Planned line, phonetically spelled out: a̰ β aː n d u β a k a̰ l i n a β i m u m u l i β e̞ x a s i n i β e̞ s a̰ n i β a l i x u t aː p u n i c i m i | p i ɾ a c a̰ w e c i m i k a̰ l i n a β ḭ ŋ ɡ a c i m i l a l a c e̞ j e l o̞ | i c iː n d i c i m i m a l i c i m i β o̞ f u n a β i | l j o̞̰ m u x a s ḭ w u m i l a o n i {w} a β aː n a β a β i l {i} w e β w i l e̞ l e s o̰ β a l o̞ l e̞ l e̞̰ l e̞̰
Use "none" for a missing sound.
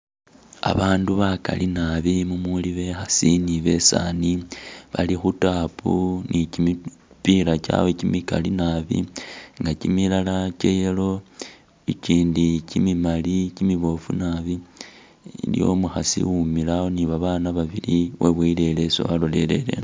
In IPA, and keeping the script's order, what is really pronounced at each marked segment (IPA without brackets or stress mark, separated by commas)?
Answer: β, i